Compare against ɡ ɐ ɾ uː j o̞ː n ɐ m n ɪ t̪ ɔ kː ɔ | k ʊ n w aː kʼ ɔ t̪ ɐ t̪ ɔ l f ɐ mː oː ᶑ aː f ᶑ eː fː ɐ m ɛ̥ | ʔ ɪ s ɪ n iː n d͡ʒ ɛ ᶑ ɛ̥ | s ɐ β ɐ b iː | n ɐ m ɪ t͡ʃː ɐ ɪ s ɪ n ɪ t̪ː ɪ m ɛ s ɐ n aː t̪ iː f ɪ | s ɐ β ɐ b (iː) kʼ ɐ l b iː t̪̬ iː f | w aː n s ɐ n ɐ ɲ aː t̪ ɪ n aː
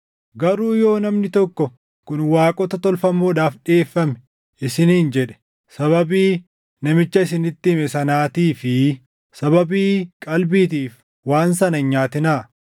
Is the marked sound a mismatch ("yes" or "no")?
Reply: no